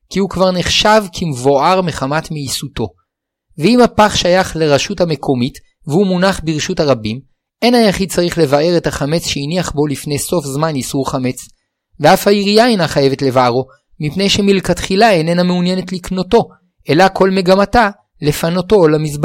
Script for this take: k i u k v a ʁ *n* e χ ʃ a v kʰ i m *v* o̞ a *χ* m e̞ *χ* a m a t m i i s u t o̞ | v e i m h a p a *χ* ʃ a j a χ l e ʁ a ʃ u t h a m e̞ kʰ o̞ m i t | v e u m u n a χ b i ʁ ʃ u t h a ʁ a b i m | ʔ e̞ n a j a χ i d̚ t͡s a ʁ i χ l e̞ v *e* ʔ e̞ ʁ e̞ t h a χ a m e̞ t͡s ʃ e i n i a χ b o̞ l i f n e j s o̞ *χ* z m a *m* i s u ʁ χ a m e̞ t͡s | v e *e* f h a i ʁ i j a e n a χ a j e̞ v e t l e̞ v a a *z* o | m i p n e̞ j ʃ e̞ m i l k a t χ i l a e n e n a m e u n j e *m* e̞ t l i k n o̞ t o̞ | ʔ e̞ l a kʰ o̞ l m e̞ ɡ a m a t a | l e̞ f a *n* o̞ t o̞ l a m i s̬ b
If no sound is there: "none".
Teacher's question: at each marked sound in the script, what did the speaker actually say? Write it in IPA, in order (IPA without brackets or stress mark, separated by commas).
n, v, ʁ, χ, χ, a, f, n, a, ʁ, n, n